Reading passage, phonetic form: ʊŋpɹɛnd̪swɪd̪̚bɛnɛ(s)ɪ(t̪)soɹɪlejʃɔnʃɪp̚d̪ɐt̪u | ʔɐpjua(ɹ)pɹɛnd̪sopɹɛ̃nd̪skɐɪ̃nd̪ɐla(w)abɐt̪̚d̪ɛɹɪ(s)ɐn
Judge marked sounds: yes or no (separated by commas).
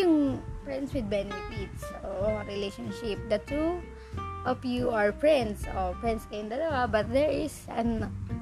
no, yes, yes, yes, yes